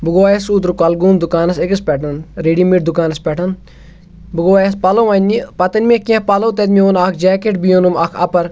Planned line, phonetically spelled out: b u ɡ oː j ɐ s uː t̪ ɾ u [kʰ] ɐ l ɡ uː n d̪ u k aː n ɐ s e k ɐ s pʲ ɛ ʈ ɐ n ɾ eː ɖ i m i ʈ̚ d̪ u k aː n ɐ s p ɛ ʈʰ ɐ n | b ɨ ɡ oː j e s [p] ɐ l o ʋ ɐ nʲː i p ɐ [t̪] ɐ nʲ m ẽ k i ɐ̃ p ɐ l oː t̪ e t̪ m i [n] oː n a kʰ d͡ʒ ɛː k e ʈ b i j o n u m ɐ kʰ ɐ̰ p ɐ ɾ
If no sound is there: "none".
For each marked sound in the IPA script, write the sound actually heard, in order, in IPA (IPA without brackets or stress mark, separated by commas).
k, p, t̪, none